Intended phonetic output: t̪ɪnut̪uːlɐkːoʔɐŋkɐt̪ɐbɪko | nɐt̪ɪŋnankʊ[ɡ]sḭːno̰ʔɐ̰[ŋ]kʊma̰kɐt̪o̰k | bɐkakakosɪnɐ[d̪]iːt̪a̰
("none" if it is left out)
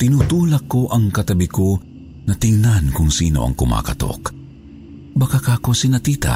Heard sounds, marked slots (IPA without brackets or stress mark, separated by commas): ŋ, ŋ, t̪